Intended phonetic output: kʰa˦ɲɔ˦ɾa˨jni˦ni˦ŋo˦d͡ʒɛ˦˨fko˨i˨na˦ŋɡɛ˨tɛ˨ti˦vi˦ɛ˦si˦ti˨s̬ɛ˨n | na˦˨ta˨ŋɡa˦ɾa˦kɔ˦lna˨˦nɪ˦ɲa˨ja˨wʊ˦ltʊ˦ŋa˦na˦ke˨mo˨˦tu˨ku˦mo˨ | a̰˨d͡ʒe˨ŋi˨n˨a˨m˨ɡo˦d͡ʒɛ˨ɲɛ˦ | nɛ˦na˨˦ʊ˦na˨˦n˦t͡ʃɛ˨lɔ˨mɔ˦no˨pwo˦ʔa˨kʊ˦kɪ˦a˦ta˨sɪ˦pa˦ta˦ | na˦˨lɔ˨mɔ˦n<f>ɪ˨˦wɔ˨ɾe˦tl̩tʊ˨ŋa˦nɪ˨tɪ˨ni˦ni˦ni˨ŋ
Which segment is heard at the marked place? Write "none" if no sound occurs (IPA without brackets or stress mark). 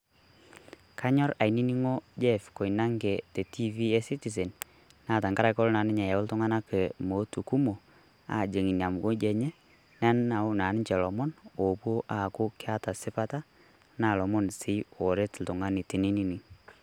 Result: s